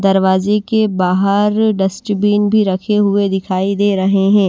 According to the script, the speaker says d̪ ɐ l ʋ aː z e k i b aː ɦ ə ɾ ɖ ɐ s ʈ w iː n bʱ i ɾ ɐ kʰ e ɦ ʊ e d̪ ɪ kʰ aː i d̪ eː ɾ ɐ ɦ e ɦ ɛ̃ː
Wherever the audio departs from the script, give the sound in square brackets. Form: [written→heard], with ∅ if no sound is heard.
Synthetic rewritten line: d̪ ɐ [l→ɾ] ʋ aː z e k [i→e] b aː ɦ ə ɾ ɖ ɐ s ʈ [w→b] iː n bʱ i ɾ ɐ kʰ e ɦ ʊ e d̪ ɪ kʰ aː i d̪ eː ɾ ɐ ɦ e ɦ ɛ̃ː

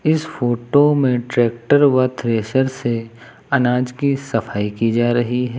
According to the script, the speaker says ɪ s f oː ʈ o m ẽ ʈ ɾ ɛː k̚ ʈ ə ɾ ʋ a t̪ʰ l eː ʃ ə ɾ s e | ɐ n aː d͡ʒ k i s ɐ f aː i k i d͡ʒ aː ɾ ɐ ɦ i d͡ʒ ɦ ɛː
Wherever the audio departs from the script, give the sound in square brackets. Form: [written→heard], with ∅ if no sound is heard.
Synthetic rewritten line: ɪ s f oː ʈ o m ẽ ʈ ɾ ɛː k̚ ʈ ə ɾ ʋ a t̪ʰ [l→ɾ] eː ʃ ə ɾ s e | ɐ n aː d͡ʒ k i s ɐ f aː i k i d͡ʒ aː ɾ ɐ ɦ i [d͡ʒ→∅] ɦ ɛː

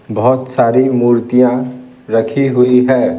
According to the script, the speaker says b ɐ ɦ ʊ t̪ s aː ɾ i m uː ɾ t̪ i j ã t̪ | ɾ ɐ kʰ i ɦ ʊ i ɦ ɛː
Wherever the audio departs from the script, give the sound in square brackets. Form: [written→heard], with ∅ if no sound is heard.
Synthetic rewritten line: b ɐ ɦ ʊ t̪ s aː ɾ i m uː ɾ t̪ i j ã [t̪→∅] | ɾ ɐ kʰ i ɦ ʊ i ɦ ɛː

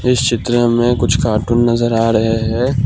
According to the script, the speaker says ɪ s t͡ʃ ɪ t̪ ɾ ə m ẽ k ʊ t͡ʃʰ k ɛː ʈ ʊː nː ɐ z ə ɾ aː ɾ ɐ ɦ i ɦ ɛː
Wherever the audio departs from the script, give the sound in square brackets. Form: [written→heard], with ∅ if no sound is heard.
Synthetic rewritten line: ɪ s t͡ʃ ɪ t̪ ɾ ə m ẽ k ʊ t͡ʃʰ k [ɛː→aː] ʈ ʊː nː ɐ z ə ɾ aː ɾ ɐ ɦ [i→e] ɦ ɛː

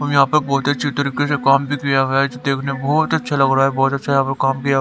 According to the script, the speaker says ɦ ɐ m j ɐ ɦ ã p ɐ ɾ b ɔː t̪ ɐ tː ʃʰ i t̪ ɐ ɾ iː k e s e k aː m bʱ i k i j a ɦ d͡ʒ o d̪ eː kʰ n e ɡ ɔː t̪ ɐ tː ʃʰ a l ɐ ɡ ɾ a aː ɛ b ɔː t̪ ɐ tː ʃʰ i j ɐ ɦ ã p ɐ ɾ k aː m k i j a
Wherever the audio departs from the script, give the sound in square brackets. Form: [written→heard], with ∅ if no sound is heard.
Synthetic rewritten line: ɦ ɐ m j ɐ ɦ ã p ɐ ɾ b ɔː t̪ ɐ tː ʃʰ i t̪ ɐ ɾ iː k e s e k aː m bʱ i k i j a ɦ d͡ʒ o d̪ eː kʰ n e [ɡ→b] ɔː t̪ ɐ tː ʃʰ a l ɐ ɡ ɾ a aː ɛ b ɔː t̪ ɐ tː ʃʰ [i→a] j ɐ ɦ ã p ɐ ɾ k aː m k i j a

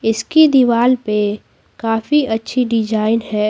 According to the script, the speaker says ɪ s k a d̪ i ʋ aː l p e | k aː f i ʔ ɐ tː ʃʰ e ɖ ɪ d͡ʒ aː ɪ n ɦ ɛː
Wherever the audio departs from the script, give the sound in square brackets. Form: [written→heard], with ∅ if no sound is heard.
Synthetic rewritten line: ɪ s k [a→i] d̪ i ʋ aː l p e | k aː f i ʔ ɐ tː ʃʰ [e→i] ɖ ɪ d͡ʒ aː ɪ n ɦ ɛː

